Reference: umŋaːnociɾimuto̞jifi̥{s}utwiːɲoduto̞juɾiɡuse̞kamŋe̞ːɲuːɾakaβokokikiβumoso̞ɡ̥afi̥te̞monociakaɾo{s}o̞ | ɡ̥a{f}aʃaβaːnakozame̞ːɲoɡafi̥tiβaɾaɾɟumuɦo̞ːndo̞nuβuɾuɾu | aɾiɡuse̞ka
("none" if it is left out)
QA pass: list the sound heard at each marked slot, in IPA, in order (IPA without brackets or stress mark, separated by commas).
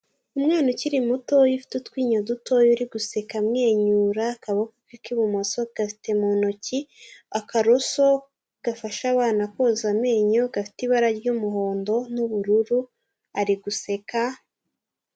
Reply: t, s, f